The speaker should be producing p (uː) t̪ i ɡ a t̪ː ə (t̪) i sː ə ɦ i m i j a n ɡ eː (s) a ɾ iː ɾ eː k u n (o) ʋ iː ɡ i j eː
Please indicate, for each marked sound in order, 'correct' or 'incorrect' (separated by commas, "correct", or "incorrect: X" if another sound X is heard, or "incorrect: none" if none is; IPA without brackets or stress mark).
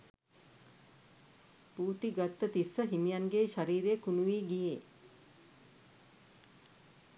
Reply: correct, correct, incorrect: ʃ, incorrect: u